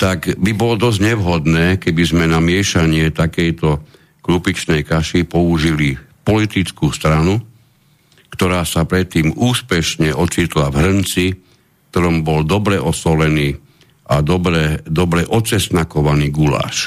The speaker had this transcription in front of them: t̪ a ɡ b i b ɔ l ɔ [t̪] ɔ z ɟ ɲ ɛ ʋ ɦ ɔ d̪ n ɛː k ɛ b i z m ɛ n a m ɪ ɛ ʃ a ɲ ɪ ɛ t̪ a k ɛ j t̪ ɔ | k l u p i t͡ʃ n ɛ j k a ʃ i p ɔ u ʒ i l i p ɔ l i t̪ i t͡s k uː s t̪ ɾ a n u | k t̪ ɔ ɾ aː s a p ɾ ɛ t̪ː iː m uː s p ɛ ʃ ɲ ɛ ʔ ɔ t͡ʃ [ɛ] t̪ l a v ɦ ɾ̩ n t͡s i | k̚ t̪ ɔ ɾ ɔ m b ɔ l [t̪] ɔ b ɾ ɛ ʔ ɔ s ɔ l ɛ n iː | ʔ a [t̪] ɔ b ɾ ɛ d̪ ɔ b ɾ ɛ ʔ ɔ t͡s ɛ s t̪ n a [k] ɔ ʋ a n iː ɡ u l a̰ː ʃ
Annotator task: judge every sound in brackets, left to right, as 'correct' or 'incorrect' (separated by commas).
incorrect, incorrect, incorrect, incorrect, correct